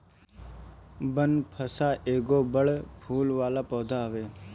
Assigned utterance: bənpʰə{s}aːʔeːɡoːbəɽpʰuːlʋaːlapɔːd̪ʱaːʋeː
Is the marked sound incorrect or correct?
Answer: correct